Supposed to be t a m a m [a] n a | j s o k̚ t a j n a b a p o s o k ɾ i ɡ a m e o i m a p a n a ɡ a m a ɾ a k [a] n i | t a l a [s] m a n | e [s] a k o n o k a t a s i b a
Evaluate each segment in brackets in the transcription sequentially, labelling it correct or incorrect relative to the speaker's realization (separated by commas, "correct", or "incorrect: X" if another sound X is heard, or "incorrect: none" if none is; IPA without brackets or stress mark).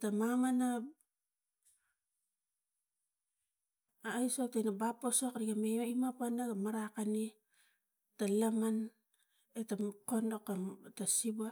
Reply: correct, correct, incorrect: none, incorrect: t